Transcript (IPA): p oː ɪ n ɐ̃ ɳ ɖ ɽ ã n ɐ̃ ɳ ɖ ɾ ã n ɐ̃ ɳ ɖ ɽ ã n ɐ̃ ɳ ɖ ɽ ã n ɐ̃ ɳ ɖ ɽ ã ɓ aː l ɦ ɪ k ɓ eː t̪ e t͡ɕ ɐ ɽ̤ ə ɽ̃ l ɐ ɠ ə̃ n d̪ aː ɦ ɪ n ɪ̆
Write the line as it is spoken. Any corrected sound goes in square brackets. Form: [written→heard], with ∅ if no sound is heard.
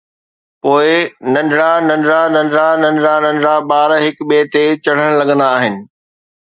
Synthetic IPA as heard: p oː ɪ n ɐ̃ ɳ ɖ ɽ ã n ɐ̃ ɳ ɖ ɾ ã n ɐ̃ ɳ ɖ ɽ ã n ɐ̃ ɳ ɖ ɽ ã n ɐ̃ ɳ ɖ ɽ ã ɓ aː [l→ɾ] ɦ ɪ k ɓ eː t̪ e t͡ɕ ɐ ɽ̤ ə ɽ̃ l ɐ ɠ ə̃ n d̪ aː ɦ ɪ n ɪ̆